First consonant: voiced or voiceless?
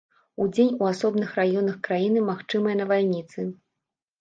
voiced